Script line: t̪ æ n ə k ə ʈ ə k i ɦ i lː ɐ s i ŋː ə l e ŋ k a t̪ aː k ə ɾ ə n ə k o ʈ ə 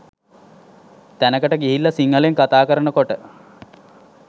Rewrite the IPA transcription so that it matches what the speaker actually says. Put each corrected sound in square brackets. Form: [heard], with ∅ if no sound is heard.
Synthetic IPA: t̪ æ n ə k ə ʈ ə [ɡ] i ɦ i lː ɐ s i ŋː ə l e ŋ k a t̪ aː k ə ɾ ə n ə k o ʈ ə